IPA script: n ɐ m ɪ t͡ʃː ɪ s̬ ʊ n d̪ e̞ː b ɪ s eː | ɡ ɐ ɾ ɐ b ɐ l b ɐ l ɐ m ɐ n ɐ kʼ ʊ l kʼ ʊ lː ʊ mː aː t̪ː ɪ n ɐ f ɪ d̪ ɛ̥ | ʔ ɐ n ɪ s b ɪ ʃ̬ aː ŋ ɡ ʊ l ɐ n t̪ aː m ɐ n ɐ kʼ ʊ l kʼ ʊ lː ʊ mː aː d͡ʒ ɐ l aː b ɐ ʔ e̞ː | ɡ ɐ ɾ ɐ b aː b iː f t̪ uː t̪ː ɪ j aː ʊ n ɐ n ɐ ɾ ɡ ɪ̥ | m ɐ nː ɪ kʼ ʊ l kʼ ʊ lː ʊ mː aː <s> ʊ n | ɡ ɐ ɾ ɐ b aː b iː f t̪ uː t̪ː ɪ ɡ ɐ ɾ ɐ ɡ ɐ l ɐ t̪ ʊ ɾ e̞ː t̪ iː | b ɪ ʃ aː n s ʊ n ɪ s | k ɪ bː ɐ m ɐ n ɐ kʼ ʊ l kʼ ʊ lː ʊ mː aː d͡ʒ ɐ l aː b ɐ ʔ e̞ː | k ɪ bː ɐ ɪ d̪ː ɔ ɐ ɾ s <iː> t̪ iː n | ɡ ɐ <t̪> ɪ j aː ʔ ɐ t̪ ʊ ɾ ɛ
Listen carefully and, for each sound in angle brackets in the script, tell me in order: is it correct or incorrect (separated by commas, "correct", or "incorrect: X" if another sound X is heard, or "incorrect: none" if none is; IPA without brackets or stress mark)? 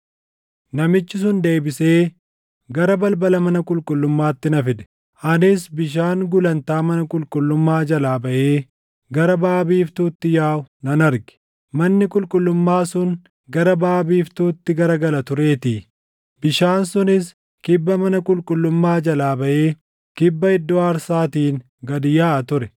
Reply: correct, incorrect: aː, incorrect: d̪